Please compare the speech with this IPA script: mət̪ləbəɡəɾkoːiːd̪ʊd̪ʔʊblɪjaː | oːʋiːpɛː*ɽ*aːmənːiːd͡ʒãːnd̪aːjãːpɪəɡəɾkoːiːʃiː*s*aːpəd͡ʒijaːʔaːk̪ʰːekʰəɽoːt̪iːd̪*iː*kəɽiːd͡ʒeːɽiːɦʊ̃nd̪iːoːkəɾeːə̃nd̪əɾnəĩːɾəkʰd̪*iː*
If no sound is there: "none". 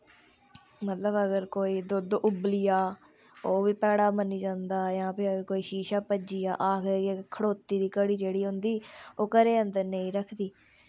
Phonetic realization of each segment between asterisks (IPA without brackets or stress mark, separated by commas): ɽ, ʃ, iː, iː